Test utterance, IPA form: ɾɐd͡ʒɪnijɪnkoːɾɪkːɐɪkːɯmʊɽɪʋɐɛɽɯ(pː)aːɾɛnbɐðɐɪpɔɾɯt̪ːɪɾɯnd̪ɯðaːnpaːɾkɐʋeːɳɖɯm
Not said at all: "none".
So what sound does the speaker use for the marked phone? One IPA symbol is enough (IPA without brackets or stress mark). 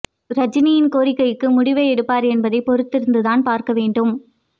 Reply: pː